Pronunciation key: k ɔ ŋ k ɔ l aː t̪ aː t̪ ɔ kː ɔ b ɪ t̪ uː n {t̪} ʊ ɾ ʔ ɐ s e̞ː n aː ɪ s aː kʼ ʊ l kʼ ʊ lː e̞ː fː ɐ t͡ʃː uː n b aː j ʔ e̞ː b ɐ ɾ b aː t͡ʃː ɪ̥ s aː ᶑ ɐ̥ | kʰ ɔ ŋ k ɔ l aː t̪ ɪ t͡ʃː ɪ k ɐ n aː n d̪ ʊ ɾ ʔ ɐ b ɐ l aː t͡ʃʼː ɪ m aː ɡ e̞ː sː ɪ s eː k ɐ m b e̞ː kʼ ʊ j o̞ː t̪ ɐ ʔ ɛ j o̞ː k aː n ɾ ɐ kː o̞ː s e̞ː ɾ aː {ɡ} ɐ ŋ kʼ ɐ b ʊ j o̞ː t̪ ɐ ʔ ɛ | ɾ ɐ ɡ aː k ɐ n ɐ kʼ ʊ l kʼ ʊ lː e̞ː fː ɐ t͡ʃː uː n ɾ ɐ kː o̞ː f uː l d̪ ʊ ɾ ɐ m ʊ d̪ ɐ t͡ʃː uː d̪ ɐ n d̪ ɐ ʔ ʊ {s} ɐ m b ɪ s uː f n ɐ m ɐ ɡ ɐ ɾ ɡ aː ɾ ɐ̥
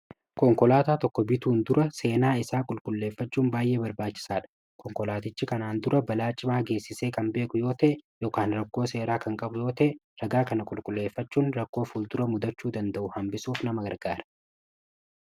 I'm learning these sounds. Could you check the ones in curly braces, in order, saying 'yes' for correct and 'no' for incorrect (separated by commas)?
no, no, no